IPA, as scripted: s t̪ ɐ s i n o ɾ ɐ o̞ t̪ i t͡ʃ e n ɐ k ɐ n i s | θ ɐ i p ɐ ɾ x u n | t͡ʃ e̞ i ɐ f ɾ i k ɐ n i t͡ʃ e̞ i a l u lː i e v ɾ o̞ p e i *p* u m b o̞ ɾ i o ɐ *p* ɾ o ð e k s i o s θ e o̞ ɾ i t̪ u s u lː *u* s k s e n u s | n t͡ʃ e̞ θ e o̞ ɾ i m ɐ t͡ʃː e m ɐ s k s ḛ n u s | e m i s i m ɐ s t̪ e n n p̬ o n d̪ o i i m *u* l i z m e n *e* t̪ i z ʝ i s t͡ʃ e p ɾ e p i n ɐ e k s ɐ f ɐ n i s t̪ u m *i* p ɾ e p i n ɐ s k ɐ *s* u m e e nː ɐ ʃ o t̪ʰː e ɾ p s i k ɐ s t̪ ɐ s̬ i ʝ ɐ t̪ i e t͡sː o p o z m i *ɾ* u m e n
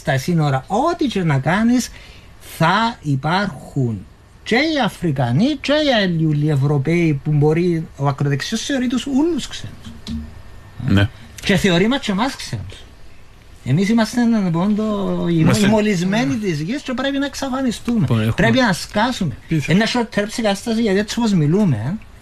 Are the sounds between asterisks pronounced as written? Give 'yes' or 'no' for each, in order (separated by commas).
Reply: yes, no, yes, no, no, no, yes, no